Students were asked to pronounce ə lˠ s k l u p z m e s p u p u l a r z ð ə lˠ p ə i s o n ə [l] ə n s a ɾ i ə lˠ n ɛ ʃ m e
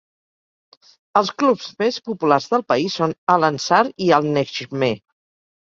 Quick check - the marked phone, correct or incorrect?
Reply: correct